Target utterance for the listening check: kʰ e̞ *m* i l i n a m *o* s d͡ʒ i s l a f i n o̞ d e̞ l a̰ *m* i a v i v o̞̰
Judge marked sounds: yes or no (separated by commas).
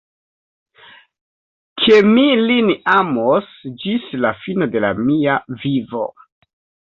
yes, yes, yes